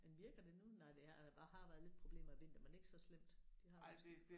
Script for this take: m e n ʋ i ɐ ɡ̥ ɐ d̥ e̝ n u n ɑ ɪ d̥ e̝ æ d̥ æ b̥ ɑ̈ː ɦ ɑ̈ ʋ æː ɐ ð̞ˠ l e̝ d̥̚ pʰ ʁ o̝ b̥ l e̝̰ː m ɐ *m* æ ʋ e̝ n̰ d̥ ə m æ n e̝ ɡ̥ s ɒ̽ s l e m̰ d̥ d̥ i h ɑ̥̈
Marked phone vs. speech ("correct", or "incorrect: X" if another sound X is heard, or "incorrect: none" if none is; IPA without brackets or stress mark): incorrect: none